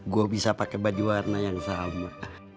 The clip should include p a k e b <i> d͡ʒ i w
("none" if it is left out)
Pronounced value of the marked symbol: a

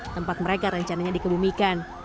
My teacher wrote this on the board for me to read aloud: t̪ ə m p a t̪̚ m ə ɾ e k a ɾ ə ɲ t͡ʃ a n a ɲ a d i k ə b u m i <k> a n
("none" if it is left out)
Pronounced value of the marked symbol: k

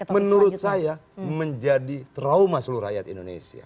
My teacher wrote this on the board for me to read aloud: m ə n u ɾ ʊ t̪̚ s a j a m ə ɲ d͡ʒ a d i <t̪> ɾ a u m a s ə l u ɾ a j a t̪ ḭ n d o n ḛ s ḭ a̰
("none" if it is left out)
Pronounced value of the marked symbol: t̪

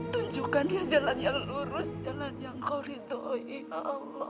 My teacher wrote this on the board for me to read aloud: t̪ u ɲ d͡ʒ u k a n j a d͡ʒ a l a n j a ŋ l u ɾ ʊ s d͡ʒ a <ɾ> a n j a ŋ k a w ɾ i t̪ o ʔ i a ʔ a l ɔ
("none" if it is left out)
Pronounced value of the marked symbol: l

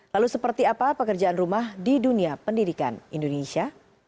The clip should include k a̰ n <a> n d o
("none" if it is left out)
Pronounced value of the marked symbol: i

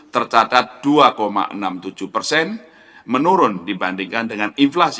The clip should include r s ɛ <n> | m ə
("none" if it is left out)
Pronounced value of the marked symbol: n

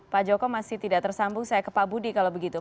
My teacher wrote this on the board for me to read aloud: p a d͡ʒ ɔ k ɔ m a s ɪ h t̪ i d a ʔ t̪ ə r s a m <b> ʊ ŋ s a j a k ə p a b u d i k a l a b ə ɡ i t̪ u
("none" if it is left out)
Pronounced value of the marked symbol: b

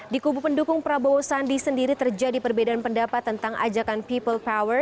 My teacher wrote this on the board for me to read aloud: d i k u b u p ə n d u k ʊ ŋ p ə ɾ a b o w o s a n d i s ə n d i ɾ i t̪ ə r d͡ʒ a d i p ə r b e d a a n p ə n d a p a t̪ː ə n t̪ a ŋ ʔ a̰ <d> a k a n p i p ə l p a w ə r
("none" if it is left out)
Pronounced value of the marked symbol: d͡ʒ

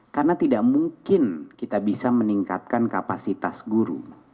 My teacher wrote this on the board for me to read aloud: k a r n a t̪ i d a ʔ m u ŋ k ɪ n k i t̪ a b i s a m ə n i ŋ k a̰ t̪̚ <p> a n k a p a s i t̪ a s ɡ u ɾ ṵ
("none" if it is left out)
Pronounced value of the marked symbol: k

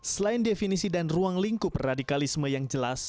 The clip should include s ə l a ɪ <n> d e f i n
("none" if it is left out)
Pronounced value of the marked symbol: n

